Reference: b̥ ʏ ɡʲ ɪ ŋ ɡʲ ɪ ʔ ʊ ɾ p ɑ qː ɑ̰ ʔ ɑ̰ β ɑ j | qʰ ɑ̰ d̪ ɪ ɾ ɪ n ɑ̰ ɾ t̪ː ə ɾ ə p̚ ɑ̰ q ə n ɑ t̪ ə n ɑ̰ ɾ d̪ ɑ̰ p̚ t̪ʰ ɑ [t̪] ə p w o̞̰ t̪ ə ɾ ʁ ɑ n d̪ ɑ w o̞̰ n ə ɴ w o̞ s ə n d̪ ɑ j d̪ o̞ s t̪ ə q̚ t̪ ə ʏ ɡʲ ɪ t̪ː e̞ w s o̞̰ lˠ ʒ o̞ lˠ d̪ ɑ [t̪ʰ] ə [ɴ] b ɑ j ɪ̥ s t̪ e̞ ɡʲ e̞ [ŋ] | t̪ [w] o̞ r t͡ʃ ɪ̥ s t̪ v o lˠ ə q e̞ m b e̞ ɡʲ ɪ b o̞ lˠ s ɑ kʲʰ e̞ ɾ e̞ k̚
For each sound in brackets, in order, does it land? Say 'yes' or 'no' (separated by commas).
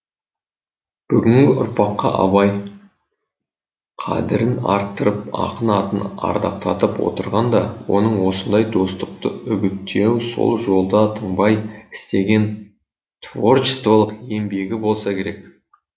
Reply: yes, yes, yes, no, no